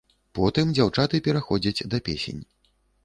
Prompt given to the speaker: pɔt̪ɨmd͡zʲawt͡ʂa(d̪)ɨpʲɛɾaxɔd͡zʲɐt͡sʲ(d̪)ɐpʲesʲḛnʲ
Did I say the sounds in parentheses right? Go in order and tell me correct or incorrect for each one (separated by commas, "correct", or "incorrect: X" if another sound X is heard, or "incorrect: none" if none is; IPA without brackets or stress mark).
incorrect: t̪, correct